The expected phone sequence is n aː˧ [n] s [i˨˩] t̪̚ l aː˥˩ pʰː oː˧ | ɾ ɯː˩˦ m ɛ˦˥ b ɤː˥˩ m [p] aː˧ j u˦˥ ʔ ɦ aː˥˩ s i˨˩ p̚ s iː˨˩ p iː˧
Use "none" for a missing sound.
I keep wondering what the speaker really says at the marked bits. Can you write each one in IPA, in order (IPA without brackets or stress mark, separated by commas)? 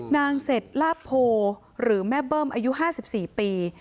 ŋ, e˨˩, ʔ